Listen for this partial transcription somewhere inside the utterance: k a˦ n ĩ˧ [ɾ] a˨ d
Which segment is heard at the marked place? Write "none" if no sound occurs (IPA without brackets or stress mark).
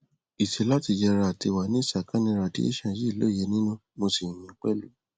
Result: ɾ